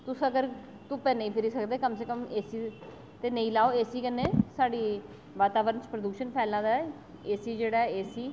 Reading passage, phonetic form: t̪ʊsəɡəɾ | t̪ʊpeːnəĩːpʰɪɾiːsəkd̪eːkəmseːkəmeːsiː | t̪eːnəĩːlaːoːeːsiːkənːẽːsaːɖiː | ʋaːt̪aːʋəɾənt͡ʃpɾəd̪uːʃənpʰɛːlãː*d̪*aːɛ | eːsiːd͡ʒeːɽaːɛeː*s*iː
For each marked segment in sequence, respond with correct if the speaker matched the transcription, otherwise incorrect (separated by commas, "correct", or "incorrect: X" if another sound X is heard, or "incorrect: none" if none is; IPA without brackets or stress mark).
correct, correct